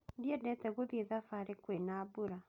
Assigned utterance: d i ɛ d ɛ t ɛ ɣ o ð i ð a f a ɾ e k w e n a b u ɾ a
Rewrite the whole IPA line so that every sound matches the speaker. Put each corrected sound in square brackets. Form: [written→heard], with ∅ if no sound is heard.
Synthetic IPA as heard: d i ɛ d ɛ t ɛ ɣ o ð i ð a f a ɾ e k w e n a b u ɾ a